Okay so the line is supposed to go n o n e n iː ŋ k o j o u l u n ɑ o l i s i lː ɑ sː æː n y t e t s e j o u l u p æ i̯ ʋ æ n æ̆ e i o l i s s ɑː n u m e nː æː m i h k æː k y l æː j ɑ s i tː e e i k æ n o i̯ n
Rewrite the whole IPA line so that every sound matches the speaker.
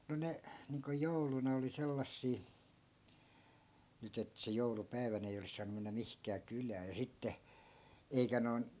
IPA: n o n e n iː ŋ k o j o u l u n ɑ o l i s e lː ɑ sː iː n y t e t s e j o u l u p æ i̯ ʋ æ n æ̆ e i o l i s s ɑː n u m e nː æ m i h k æː k y l æː j ɑ s i tː e e i k æ n o i̯ n